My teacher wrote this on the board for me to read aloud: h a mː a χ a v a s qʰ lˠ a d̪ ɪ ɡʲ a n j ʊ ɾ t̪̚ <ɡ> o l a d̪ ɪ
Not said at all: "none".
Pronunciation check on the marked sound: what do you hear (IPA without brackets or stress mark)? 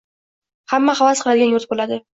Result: b